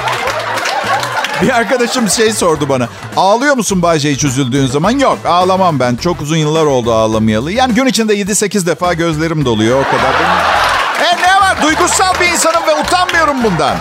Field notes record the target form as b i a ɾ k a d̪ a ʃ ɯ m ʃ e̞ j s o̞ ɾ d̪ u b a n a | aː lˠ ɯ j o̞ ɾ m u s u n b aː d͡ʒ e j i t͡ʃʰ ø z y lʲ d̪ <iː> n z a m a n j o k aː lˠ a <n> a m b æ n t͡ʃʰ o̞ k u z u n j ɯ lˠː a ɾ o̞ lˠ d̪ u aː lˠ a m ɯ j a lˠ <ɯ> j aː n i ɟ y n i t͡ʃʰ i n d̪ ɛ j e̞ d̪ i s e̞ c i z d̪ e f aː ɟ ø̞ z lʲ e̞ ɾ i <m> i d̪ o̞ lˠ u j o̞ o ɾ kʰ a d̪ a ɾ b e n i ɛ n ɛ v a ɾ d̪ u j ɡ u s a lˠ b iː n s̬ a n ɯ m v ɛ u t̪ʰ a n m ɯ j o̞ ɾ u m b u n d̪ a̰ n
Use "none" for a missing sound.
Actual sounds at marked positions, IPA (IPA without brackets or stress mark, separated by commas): yː, m, ɯ, m